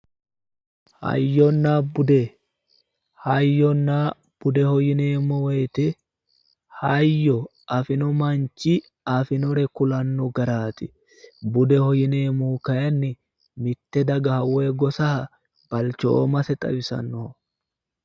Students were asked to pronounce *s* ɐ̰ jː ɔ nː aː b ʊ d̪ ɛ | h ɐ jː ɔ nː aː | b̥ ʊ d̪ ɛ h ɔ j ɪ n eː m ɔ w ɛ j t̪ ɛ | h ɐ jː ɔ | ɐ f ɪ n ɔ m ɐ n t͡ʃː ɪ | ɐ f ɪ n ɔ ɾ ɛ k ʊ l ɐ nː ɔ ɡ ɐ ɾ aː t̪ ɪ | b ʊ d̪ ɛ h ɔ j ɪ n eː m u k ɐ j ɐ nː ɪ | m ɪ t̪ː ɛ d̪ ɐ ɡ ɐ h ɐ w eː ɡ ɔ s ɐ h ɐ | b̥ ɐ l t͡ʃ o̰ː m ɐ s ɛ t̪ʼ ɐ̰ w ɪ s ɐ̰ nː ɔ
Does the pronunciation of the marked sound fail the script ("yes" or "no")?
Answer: yes